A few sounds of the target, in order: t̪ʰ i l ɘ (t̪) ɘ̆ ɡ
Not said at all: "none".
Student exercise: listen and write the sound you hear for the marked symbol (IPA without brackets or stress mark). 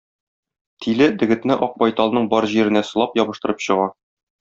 d̪